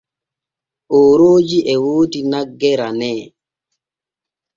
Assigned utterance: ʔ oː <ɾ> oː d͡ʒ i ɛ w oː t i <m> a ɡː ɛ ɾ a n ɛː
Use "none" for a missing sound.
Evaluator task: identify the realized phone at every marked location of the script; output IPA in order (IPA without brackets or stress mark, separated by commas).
ɾ, n